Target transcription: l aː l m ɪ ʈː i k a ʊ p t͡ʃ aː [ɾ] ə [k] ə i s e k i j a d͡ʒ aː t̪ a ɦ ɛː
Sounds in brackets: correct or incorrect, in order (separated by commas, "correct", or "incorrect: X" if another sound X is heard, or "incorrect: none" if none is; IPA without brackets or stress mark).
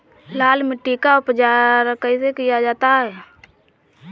correct, correct